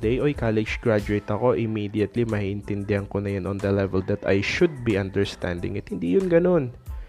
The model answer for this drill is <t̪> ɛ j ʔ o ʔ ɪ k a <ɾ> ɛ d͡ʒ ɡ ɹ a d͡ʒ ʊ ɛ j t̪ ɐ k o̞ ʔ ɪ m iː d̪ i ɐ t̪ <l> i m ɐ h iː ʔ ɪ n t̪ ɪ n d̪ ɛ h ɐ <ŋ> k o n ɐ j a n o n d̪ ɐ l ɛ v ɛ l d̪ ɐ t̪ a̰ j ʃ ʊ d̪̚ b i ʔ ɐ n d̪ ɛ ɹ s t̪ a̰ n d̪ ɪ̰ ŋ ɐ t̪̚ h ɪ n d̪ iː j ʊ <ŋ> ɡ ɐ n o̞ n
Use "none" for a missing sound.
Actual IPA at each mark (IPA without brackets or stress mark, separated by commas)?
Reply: d̪, l, l, ŋ, n